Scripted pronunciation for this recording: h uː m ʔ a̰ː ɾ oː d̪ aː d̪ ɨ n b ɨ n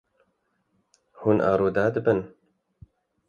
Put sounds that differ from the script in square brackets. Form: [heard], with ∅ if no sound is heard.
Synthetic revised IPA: h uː [n] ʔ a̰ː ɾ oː d̪ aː d̪ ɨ [∅] b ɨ n